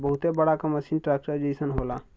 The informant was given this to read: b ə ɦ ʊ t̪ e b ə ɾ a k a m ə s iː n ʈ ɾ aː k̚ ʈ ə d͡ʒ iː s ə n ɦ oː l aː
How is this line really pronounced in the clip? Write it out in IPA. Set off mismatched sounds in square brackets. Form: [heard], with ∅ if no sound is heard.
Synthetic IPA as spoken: b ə ɦ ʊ t̪ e b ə [ɽ] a k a m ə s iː n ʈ ɾ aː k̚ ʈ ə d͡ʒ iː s ə n ɦ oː l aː